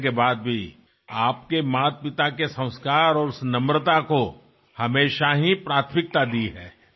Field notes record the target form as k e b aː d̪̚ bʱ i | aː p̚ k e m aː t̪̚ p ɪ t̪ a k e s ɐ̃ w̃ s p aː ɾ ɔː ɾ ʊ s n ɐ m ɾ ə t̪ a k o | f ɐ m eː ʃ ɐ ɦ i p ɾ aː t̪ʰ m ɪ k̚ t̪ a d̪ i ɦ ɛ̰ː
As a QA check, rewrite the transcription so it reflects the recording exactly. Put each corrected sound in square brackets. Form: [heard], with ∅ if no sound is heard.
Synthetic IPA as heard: k e b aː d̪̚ bʱ i | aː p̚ k e m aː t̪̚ p ɪ t̪ a k e s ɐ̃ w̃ s [k] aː ɾ ɔː ɾ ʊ s n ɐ m ɾ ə t̪ a k o | [h] ɐ m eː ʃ [a] ɦ i p ɾ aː t̪ʰ m ɪ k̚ t̪ a d̪ i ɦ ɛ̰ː